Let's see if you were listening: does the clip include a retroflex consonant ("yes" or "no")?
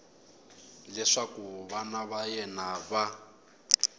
yes